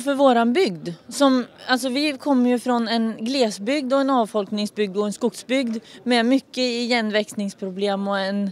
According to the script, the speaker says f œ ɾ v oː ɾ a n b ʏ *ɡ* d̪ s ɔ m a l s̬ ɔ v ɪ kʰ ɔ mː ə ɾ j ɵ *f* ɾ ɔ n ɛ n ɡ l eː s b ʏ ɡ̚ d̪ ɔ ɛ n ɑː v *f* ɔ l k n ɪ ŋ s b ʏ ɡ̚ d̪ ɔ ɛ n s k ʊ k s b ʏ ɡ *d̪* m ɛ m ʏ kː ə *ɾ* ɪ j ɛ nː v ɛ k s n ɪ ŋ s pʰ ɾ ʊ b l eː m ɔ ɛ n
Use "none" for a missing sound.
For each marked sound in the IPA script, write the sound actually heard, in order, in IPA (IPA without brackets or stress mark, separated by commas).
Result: ɡ, f, f, d̪, none